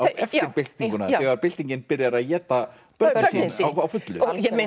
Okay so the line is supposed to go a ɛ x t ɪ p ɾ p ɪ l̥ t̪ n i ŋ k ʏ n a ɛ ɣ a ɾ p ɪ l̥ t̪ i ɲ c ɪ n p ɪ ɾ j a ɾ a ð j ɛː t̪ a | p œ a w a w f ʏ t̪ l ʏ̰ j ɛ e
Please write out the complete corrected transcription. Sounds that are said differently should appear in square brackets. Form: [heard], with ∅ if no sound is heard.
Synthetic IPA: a ɛ [f] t ɪ [∅] ɾ p ɪ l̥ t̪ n i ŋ k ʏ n a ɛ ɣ a ɾ p ɪ l̥ t̪ i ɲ c ɪ n p ɪ ɾ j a ɾ a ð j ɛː t̪ a | p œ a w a w f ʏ t̪ l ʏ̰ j ɛ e